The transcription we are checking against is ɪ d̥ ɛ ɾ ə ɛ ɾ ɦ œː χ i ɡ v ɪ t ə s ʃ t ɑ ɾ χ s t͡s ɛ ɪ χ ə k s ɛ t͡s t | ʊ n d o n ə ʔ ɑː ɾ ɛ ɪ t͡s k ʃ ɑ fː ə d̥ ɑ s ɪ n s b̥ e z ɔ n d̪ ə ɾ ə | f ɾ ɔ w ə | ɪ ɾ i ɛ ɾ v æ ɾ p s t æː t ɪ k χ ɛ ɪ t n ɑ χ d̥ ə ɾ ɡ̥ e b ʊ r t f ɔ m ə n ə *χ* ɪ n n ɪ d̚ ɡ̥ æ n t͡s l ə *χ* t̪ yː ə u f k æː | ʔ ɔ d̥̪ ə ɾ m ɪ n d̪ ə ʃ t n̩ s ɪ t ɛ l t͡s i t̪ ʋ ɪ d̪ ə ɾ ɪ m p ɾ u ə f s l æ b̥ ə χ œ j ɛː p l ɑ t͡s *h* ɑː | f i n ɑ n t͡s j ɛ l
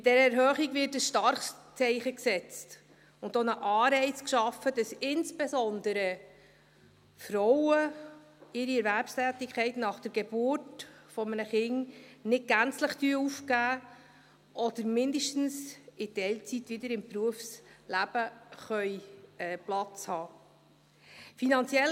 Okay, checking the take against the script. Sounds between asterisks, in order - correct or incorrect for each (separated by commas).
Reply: correct, correct, correct